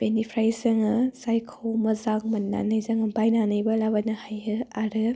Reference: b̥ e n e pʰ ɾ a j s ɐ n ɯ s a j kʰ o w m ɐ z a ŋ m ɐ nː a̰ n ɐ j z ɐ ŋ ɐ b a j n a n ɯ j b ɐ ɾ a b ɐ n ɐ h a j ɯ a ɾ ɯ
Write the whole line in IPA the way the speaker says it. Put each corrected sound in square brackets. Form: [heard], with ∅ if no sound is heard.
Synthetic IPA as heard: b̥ e n [i] pʰ ɾ a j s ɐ [ŋ] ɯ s a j kʰ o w m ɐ z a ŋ m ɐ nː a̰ n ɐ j z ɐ ŋ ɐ b a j n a n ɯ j b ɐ [l] a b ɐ n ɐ h a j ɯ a ɾ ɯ